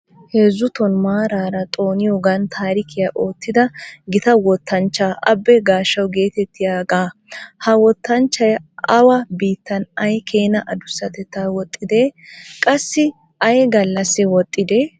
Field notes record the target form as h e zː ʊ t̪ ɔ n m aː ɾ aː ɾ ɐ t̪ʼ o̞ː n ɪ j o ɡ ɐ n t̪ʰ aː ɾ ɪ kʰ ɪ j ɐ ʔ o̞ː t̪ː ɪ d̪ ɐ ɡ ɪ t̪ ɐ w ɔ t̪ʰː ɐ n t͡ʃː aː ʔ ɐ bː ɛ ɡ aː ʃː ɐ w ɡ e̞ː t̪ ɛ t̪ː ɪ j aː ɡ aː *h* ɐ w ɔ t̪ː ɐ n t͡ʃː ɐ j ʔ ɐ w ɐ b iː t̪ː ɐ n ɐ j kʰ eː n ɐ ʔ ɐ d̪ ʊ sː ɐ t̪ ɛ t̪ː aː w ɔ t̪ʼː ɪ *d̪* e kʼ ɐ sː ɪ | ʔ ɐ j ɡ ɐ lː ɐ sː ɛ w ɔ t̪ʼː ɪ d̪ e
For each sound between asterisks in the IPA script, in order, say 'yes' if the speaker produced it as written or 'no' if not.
yes, yes

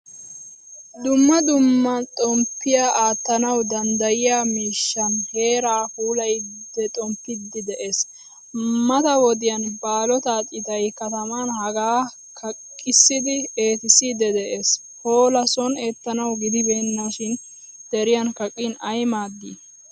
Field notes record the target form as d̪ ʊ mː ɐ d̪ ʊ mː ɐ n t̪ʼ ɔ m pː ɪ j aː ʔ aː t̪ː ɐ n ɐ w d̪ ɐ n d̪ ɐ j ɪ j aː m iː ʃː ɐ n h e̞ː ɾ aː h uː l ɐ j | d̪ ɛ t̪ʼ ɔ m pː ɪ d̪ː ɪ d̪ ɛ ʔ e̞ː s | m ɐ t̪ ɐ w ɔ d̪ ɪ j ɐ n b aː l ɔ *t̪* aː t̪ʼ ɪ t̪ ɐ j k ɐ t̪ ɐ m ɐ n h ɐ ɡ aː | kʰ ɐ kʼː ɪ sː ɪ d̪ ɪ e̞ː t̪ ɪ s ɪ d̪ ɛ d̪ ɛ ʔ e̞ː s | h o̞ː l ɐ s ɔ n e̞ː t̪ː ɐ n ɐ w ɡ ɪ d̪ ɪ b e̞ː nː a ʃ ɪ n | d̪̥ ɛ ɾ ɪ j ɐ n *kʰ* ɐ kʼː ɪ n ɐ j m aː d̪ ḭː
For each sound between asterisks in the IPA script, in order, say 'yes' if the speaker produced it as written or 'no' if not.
yes, no

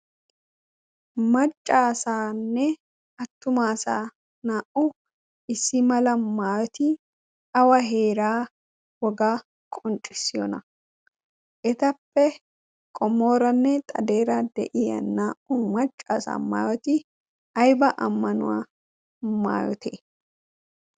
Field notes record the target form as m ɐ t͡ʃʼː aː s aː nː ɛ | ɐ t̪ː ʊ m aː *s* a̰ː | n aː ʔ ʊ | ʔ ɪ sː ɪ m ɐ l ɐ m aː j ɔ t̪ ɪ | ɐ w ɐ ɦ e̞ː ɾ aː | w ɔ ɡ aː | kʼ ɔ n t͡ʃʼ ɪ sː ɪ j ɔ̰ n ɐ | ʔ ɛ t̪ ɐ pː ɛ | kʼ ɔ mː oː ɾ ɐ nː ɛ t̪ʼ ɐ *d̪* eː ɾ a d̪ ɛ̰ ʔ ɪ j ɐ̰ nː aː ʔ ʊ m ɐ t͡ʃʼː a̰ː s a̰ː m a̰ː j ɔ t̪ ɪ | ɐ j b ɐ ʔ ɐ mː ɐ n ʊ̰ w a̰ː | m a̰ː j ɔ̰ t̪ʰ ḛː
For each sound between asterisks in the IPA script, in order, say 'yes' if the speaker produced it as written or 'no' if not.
yes, yes

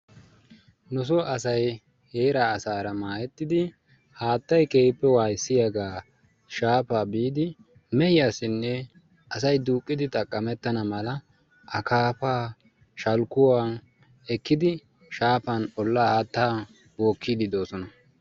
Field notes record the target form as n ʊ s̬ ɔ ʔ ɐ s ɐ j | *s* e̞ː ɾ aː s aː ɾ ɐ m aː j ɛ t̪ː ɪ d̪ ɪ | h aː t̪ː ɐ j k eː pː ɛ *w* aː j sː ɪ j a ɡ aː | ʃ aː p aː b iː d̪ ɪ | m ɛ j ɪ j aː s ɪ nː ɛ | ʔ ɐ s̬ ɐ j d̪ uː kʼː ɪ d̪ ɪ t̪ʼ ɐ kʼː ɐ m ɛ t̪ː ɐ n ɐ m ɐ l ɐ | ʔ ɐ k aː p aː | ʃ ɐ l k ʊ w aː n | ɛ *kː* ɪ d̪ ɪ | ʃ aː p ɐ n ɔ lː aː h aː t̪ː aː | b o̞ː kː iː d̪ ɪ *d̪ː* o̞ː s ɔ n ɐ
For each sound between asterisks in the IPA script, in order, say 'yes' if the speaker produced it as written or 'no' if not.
no, yes, yes, no

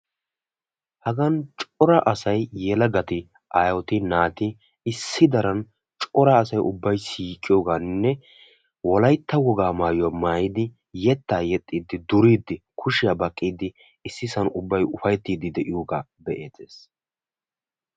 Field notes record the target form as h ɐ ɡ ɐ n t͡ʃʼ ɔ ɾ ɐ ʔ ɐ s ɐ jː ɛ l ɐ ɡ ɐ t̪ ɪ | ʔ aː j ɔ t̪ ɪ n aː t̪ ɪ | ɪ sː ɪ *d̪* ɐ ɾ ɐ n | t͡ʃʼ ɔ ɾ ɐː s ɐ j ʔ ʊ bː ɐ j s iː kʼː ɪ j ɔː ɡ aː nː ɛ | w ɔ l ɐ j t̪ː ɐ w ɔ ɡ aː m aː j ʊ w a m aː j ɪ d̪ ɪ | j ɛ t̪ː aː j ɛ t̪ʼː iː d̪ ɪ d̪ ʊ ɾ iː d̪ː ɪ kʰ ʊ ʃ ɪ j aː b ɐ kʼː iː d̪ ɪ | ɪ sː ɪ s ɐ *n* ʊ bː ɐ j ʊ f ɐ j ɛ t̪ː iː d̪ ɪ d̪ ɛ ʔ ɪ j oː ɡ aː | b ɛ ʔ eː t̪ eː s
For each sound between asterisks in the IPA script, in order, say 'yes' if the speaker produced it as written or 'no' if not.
yes, yes

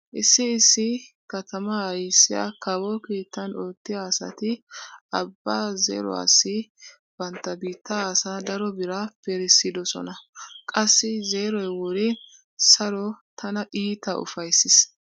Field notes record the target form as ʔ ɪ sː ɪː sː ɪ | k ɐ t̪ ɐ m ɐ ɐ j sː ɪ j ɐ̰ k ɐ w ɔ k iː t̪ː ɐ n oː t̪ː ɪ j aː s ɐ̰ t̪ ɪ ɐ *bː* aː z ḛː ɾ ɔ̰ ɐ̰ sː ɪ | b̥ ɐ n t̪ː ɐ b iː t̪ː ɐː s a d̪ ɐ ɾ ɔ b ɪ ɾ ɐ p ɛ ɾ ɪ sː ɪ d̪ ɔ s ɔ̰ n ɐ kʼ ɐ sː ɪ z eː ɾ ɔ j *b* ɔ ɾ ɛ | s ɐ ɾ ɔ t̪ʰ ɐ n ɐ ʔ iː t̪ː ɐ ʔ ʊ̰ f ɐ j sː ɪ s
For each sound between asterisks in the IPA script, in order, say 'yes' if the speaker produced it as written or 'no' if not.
yes, no

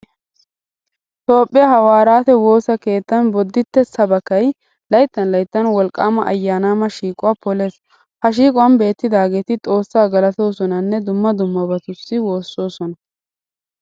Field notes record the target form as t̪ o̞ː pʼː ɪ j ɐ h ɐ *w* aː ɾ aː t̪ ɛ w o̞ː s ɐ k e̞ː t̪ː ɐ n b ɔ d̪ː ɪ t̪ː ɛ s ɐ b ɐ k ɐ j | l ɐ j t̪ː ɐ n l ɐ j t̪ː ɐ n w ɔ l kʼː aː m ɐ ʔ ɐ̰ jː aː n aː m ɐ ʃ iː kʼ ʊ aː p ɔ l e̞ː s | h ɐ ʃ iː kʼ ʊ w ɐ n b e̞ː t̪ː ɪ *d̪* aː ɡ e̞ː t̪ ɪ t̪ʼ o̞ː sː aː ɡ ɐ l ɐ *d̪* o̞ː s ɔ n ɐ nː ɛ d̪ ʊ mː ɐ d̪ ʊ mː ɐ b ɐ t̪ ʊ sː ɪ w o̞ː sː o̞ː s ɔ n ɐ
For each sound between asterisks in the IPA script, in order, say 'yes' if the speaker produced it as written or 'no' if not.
yes, yes, no

